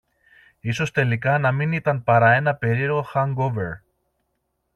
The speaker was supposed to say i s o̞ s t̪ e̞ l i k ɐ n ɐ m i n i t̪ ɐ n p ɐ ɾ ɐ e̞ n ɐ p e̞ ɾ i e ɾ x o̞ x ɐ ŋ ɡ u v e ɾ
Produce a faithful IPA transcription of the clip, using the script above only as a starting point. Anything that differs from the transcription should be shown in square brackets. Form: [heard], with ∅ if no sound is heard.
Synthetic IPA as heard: i s o̞ s t̪ e̞ l i k ɐ n ɐ m i n i t̪ ɐ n p ɐ ɾ ɐ e̞ n ɐ p e̞ ɾ i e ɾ [ɣ] o̞ x ɐ ŋ ɡ [o] v e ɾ